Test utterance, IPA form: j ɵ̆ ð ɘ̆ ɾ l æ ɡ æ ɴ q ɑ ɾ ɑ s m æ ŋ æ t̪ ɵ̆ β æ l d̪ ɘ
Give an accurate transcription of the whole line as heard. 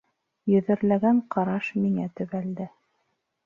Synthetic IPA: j ɵ̆ ð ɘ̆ ɾ l æ ɡ æ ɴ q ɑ ɾ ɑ ʃ m i ŋ æ t̪ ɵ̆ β æ l d̪ ɘ